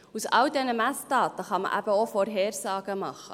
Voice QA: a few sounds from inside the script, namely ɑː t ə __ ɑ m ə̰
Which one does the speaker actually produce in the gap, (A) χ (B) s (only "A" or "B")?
A